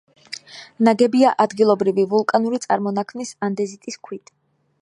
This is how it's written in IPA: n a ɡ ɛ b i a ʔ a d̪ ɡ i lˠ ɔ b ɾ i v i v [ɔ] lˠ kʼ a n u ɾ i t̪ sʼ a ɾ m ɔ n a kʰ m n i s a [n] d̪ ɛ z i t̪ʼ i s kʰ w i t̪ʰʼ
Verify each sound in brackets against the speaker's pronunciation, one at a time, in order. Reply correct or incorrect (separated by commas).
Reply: incorrect, correct